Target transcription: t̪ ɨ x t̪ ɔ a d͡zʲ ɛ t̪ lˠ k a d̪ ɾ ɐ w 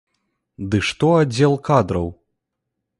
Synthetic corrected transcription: d̪ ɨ ʂ t̪ ɔ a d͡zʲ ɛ lˠ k a d̪ ɾ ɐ w